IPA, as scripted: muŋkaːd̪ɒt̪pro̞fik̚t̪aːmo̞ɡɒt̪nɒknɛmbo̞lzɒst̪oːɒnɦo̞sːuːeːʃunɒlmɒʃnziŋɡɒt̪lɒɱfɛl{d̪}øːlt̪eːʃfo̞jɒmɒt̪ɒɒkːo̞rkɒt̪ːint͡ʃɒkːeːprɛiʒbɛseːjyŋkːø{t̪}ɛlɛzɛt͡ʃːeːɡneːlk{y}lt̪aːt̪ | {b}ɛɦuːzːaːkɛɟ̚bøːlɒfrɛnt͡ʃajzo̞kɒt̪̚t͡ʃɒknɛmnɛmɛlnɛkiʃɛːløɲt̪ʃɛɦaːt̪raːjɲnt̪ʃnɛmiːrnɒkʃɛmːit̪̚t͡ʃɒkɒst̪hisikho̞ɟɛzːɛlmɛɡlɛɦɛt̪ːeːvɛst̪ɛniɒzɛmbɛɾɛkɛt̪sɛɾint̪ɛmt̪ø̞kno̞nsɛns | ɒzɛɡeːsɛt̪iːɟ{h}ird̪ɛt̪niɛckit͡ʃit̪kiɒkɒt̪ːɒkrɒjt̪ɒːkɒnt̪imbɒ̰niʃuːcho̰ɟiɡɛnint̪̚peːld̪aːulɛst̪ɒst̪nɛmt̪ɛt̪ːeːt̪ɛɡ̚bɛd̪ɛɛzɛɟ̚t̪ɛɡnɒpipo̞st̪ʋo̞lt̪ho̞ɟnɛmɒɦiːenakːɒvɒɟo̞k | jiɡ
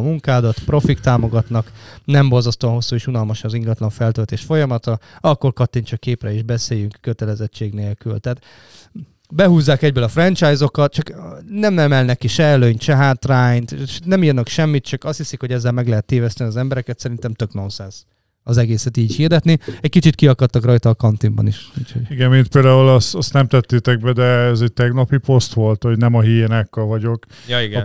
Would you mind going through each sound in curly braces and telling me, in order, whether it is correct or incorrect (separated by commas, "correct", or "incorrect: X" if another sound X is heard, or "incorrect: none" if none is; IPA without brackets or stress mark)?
incorrect: t̪, correct, correct, correct, correct